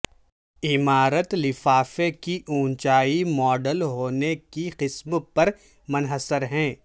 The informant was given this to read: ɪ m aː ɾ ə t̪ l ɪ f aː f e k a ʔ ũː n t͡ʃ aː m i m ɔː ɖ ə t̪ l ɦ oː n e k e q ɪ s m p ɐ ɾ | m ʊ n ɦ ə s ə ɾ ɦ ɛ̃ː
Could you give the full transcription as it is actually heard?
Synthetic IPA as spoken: ɪ m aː ɾ ə t̪ l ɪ f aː f e k i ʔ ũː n t͡ʃ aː i m ɔː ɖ ə l ɦ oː n e k i q ɪ s m p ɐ ɾ | m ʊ n ɦ ə s ə ɾ ɦ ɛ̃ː